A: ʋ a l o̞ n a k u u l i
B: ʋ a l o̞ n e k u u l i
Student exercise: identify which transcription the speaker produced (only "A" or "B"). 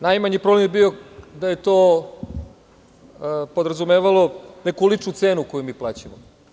B